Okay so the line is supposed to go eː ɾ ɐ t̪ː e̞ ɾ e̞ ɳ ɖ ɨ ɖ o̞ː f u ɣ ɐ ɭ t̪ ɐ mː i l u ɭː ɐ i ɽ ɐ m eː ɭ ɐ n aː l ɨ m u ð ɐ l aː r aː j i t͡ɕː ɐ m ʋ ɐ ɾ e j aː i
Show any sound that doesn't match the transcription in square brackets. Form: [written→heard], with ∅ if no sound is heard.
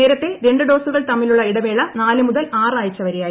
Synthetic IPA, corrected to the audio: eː ɾ ɐ t̪ː e̞ ɾ e̞ ɳ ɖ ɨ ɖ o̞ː [f→s] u ɣ ɐ ɭ t̪ ɐ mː i l u ɭː ɐ i ɽ ɐ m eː ɭ ɐ n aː l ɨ m u ð ɐ l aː r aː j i t͡ɕː ɐ [m→∅] ʋ ɐ ɾ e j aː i

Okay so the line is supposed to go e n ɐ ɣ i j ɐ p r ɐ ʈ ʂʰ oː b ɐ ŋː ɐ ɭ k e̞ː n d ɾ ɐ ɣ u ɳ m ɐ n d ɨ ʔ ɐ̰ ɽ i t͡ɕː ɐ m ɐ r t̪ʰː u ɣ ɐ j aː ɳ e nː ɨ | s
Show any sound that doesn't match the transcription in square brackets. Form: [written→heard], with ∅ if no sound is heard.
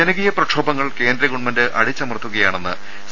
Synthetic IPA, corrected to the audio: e n ɐ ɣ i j ɐ p r ɐ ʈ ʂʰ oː b ɐ ŋː ɐ ɭ k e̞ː n d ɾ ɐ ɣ u ɳ m ɐ n d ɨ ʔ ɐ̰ ɽ i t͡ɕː ɐ m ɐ r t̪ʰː u ɣ ɐ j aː ɳ e nː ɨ | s

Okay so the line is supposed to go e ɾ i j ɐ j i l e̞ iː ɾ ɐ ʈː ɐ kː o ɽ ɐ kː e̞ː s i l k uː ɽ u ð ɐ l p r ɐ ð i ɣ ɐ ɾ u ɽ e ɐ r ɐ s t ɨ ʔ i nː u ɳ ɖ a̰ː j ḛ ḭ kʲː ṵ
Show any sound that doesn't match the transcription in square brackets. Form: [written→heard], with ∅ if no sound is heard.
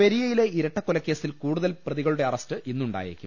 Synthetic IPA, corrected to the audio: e ɾ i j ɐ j i l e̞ [iː→i] ɾ ɐ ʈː ɐ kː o [ɽ→l] ɐ kː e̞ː s i l k uː ɽ u ð ɐ l p r ɐ ð i ɣ ɐ [ɾ→ɭ] u ɽ e ɐ r ɐ s t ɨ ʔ i nː u ɳ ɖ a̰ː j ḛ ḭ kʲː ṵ

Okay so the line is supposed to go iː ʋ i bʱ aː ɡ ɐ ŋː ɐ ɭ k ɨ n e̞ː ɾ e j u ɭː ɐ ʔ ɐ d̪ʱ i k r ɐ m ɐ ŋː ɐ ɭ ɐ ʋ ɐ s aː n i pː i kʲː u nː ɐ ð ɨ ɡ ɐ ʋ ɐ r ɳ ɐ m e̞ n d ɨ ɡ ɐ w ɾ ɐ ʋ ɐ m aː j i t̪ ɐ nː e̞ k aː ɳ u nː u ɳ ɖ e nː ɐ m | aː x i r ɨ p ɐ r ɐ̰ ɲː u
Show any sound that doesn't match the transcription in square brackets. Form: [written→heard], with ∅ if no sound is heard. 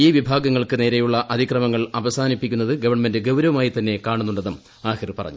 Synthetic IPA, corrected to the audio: iː ʋ i bʱ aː ɡ ɐ ŋː ɐ ɭ k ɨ n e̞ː ɾ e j u ɭː ɐ ʔ ɐ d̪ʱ i k r ɐ m ɐ ŋː ɐ ɭ ɐ ʋ ɐ s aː n i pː i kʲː u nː ɐ ð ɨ ɡ ɐ ʋ ɐ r ɳ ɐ m e̞ n d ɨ ɡ ɐ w ɾ ɐ ʋ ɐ m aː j i t̪ ɐ nː e̞ k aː ɳ u nː u ɳ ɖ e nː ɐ m | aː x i r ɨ p ɐ r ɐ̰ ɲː u

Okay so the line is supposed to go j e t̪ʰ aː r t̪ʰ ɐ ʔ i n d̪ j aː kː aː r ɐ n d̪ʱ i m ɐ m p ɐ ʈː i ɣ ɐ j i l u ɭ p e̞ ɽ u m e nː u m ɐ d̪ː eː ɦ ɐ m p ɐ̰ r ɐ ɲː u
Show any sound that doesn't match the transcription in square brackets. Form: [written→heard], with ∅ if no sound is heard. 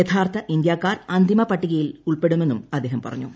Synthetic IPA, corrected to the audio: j e t̪ʰ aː r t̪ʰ ɐ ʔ i n d̪ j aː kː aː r ɐ n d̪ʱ i m ɐ [m→∅] p ɐ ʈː i ɣ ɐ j i l u ɭ p e̞ ɽ u m e nː u m ɐ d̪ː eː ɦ ɐ m p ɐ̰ r ɐ ɲː u

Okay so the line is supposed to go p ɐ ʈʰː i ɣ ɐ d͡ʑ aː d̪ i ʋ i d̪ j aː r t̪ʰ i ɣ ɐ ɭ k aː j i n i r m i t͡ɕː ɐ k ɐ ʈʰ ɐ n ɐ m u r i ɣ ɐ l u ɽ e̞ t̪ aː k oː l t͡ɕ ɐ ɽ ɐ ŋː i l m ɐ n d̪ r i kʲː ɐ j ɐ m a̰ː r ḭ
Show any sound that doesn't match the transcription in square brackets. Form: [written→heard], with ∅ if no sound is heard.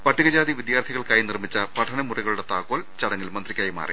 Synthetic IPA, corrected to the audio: p ɐ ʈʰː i ɣ ɐ d͡ʑ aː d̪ i ʋ i d̪ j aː r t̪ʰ i ɣ ɐ ɭ k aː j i n i r m i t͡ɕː ɐ [k→p] ɐ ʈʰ ɐ n ɐ m u r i ɣ ɐ [l→ɭ] u ɽ e̞ t̪ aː k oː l t͡ɕ ɐ ɽ ɐ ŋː i l m ɐ n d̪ r i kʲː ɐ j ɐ m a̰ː r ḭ

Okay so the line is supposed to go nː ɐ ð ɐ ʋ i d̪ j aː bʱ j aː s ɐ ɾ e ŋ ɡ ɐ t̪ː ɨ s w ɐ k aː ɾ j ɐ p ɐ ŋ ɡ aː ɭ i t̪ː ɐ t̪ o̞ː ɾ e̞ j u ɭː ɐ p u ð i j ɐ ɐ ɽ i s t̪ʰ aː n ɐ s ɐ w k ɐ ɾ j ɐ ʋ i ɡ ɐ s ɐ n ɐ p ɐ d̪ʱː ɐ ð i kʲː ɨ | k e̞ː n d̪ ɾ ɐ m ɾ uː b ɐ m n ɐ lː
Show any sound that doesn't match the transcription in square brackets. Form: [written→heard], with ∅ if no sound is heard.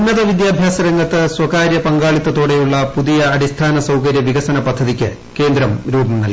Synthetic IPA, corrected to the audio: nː ɐ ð ɐ ʋ i d̪ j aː bʱ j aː s ɐ ɾ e ŋ ɡ ɐ t̪ː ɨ s w ɐ k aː ɾ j ɐ p ɐ ŋ ɡ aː ɭ i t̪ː ɐ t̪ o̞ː [ɾ→ɽ] e̞ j u ɭː ɐ p u ð i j ɐ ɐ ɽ i s t̪ʰ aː n ɐ s ɐ w k ɐ ɾ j ɐ ʋ i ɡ ɐ s ɐ n ɐ p ɐ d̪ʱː ɐ ð i kʲː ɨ | k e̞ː n d̪ ɾ ɐ m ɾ uː b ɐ m n ɐ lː

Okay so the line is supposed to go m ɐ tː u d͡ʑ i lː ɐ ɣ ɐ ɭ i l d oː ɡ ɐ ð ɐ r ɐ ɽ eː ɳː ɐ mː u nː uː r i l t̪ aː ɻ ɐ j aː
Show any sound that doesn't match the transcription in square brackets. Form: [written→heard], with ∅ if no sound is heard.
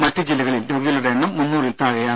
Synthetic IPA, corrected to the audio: m ɐ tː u d͡ʑ i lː ɐ ɣ ɐ ɭ i l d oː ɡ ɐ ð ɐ [r→l] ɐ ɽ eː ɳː ɐ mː u nː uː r i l t̪ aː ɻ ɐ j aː

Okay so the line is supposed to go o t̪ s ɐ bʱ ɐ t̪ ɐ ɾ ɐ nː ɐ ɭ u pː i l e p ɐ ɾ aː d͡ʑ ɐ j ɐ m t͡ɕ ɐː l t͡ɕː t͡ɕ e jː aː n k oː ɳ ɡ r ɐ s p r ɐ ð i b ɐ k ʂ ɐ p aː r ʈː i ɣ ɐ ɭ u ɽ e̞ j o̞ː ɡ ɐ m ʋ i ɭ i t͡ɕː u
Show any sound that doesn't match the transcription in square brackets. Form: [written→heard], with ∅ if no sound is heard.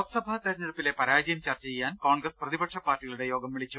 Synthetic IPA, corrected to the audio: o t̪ s ɐ bʱ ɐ t̪ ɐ ɾ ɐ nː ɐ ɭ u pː i l e p ɐ ɾ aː d͡ʑ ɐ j ɐ m t͡ɕ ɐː [l→r] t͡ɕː t͡ɕ e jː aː n k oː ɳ ɡ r ɐ s p r ɐ ð i b ɐ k ʂ ɐ p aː r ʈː i ɣ ɐ ɭ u ɽ e̞ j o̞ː ɡ ɐ m ʋ i ɭ i t͡ɕː u

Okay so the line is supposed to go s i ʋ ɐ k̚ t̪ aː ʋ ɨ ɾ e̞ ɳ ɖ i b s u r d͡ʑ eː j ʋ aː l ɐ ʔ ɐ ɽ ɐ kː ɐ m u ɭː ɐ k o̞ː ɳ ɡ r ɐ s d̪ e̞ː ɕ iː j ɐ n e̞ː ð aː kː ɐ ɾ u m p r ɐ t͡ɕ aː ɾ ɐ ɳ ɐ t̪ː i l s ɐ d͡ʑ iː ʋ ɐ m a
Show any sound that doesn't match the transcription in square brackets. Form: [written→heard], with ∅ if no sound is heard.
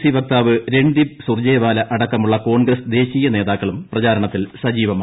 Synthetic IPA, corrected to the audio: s i ʋ ɐ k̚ t̪ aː ʋ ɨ ɾ e̞ ɳ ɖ i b s u r d͡ʑ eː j ʋ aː l ɐ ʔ ɐ ɽ ɐ kː ɐ m u ɭː ɐ k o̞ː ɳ ɡ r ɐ s d̪ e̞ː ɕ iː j ɐ n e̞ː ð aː kː ɐ [ɾ→ɭ] u m p r ɐ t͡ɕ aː ɾ ɐ ɳ ɐ t̪ː i l s ɐ d͡ʑ iː ʋ ɐ m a

